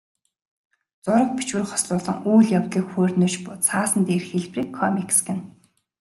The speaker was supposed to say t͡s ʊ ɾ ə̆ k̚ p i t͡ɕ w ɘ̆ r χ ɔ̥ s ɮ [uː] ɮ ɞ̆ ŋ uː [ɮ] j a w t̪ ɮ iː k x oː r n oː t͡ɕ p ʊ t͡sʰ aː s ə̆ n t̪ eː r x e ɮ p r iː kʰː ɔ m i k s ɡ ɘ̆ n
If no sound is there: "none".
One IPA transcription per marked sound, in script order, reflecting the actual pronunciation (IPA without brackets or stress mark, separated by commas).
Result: ʊː, ɮ